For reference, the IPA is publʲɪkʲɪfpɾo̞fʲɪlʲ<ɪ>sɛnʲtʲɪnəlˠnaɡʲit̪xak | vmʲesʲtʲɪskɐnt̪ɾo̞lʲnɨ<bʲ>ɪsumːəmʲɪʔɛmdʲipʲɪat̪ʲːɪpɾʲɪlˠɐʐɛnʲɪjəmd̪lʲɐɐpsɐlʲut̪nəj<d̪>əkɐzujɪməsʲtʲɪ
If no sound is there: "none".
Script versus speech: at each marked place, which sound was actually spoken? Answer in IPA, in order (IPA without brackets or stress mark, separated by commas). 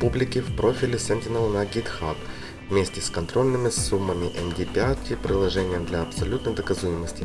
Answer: ɪ, mʲ, d̪